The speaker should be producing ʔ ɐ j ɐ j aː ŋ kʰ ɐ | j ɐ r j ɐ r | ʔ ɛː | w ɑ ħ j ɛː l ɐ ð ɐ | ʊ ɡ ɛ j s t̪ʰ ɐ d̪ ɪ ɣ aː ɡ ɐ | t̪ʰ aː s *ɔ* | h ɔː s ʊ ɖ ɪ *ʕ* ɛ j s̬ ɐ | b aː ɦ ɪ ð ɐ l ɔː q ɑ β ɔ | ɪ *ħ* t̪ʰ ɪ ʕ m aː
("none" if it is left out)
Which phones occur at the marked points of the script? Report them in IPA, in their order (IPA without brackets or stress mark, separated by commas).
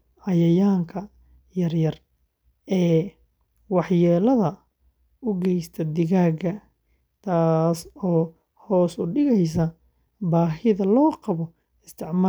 ɔː, ɣ, s